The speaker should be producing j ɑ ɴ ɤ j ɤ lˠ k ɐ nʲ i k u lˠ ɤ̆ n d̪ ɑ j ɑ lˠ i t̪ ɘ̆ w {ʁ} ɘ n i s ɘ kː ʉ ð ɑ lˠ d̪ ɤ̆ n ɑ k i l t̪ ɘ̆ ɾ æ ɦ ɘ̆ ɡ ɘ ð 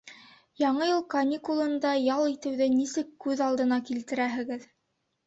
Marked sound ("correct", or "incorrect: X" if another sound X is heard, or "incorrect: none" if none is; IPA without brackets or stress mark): incorrect: ð